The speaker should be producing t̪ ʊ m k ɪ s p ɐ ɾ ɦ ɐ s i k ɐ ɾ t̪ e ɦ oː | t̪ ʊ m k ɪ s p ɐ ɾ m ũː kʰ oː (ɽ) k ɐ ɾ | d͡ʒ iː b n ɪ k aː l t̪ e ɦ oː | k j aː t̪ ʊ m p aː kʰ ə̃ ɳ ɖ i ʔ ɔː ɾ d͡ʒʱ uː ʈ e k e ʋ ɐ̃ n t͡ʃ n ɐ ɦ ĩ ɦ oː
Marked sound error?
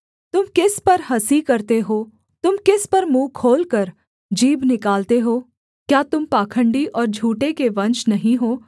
yes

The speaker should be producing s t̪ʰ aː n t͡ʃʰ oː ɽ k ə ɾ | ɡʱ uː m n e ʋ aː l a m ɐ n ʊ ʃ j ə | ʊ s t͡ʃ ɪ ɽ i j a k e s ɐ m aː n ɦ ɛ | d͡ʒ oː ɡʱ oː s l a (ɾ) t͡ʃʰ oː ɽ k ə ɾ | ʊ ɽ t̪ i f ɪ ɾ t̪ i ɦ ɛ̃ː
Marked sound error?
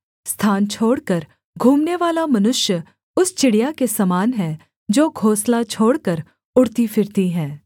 yes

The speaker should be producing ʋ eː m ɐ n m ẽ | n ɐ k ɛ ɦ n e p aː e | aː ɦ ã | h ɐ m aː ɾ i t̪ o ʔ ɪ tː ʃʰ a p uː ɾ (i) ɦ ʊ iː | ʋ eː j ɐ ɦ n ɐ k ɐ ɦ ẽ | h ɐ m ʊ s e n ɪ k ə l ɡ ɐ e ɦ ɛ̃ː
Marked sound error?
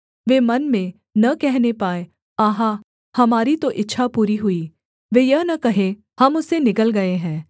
no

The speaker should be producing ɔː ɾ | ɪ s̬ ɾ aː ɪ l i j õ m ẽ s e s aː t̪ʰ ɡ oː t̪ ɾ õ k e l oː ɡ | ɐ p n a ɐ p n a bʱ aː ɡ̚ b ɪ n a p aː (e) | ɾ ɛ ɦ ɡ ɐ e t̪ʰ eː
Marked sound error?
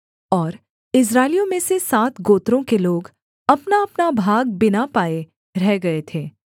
no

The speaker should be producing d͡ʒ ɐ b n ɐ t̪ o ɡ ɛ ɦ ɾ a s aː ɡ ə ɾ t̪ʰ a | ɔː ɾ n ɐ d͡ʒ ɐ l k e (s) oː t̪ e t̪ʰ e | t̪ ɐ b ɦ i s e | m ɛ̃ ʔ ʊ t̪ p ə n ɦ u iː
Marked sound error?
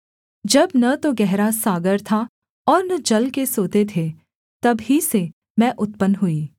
no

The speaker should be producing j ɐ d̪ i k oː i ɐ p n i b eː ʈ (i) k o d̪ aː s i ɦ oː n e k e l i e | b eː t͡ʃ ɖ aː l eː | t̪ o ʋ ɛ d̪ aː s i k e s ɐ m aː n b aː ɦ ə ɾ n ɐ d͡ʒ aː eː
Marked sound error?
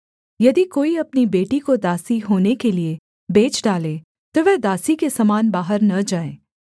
no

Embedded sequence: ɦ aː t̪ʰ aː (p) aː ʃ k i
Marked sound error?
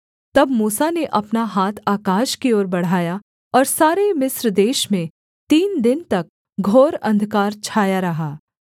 yes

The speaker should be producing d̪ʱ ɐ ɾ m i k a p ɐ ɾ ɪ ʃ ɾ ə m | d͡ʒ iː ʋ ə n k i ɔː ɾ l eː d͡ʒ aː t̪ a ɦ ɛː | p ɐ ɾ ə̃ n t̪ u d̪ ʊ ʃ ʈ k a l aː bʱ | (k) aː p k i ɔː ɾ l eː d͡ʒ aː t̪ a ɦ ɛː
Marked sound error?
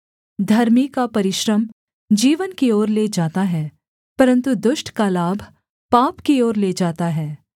yes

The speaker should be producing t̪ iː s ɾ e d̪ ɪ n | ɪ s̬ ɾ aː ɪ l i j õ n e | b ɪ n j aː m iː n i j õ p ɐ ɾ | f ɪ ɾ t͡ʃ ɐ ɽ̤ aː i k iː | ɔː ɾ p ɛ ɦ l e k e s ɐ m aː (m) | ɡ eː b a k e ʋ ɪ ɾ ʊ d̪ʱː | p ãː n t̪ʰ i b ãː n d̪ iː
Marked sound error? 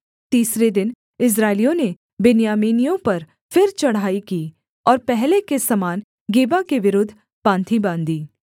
yes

